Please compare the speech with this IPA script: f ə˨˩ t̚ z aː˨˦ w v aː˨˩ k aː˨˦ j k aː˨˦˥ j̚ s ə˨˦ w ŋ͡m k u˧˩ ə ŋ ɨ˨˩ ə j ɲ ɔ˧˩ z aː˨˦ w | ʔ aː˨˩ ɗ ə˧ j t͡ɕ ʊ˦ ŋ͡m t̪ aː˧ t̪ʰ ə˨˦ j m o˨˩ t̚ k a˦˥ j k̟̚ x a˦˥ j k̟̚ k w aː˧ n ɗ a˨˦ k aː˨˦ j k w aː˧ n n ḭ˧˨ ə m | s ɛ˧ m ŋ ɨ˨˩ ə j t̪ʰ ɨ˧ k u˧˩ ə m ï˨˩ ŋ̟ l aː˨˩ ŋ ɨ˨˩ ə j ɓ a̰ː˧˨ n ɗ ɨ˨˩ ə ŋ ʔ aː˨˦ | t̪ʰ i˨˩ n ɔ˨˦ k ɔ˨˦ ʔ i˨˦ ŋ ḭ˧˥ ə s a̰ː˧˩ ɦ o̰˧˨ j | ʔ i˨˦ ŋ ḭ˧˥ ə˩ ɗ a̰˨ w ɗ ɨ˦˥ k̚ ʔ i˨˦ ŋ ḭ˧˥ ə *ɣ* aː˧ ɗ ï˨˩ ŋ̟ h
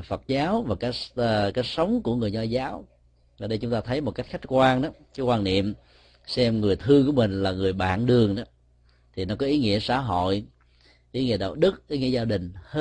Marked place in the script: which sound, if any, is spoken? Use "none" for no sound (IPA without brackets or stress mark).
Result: z